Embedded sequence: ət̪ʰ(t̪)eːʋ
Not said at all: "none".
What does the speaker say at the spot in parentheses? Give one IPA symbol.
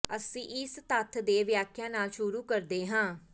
d̪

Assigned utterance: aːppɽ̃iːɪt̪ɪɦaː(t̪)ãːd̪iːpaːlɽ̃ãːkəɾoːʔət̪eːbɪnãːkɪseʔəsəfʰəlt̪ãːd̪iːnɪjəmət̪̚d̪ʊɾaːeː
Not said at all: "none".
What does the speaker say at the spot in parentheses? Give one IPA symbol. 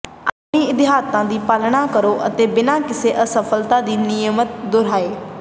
t̪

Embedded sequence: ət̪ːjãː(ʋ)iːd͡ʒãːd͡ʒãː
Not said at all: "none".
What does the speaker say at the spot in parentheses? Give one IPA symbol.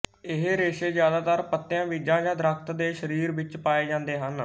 ʋ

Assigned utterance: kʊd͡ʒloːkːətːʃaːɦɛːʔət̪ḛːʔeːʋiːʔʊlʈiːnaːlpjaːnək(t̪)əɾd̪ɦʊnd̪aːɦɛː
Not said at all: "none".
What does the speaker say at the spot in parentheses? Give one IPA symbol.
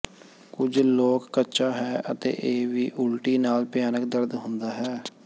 d̪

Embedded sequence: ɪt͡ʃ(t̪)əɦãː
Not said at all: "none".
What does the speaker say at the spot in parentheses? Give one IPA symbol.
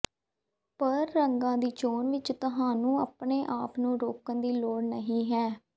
t̪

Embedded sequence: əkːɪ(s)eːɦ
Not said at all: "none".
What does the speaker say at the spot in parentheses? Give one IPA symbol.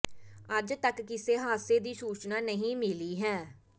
s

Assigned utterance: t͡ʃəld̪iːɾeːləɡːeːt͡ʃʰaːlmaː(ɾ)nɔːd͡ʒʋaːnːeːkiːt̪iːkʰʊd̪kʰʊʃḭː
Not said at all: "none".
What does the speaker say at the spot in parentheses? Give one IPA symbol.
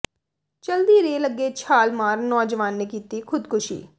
ɾ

